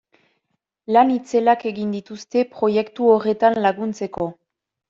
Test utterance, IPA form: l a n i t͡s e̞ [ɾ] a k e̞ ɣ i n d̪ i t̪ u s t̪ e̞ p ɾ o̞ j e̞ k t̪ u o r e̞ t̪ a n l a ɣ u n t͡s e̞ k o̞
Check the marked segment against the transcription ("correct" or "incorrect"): incorrect